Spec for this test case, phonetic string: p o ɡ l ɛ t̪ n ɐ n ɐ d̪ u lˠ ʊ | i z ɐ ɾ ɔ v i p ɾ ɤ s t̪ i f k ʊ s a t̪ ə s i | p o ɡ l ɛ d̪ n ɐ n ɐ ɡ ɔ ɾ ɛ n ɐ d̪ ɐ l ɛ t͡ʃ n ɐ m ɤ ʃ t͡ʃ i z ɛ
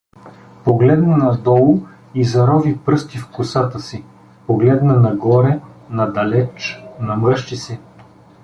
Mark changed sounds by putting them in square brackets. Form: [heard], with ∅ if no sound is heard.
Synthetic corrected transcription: p o ɡ l ɛ [d̪] n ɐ n ɐ d̪ [ɔ] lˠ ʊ | i z ɐ ɾ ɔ v i p ɾ ɤ s t̪ i f k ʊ s a t̪ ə s i | p o ɡ l ɛ d̪ n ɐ n ɐ ɡ ɔ ɾ ɛ n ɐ d̪ ɐ l ɛ t͡ʃ n ɐ m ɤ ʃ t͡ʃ i [s] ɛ